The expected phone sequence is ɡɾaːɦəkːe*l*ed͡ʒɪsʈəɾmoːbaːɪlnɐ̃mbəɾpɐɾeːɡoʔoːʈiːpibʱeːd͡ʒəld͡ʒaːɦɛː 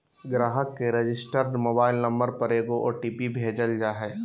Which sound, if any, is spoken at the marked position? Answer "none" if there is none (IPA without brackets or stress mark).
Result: ɾ